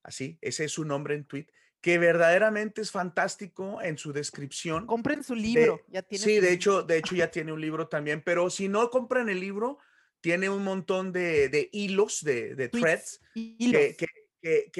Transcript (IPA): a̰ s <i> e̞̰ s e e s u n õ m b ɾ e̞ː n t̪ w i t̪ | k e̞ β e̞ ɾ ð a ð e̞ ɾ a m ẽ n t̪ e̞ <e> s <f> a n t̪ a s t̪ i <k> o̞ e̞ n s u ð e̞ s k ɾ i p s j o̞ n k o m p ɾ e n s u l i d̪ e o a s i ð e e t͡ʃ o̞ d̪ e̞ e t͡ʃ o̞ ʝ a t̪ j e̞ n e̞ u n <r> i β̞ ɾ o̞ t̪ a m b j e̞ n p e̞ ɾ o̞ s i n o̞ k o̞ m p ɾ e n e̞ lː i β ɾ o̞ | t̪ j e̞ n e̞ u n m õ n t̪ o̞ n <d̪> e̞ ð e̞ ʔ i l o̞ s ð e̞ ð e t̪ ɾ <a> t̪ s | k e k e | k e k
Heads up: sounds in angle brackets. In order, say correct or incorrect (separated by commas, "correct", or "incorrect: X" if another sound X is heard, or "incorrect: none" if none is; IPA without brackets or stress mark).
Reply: correct, correct, correct, correct, incorrect: l, correct, incorrect: e